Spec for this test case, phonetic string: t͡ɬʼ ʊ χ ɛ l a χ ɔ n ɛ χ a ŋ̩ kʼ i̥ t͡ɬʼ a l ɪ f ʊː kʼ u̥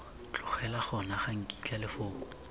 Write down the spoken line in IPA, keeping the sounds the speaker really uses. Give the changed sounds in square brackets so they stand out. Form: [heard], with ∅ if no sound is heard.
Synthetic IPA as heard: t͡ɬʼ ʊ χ ɛ l a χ ɔ n [a] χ a ŋ̩ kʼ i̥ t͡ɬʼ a l ɪ f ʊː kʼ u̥